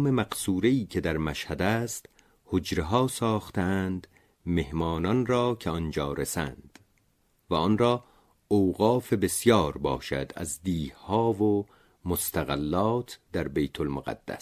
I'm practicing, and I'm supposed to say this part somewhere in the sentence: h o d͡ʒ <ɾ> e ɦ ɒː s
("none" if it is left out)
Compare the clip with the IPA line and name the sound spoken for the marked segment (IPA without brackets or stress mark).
ɾ